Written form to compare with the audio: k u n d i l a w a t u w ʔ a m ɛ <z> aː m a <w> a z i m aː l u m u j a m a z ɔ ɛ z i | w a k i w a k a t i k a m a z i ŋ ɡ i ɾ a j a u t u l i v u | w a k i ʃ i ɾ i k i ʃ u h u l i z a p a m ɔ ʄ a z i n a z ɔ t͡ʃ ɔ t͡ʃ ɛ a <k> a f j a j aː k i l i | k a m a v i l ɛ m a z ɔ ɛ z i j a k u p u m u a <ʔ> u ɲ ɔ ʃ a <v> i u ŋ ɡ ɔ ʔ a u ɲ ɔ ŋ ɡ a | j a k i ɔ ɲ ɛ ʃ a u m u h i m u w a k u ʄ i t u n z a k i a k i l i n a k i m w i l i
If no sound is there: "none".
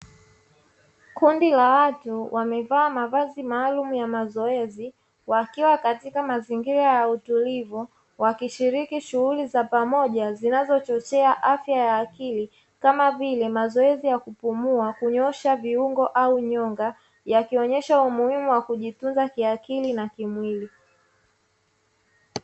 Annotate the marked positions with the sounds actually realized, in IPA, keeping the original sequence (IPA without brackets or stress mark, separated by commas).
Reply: v, v, ʔ, k, v